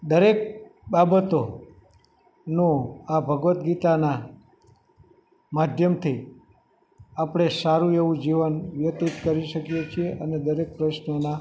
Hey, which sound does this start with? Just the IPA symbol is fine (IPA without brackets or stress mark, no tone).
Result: d̪